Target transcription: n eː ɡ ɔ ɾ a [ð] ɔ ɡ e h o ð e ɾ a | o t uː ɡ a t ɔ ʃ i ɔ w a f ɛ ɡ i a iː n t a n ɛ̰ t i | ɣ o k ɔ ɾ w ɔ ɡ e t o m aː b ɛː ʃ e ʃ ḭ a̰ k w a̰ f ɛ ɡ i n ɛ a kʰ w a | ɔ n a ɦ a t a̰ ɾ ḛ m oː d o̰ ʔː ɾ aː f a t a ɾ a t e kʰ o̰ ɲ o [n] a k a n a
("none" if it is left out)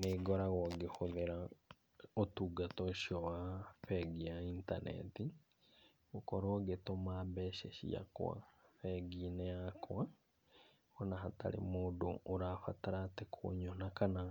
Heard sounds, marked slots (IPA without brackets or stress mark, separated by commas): ɣ, n